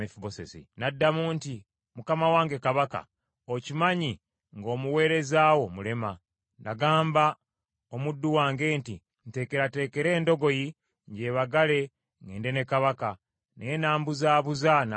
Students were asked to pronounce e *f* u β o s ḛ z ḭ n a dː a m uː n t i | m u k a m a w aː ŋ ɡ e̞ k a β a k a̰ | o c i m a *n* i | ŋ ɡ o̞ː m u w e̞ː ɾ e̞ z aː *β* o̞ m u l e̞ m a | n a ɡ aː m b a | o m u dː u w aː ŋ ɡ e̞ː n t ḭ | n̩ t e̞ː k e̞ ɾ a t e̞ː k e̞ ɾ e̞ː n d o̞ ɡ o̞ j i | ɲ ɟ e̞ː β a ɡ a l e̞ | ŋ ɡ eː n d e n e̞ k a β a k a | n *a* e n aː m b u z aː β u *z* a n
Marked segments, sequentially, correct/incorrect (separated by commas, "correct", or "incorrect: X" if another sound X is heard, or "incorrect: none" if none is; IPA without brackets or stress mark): correct, incorrect: ɲ, incorrect: w, incorrect: e, correct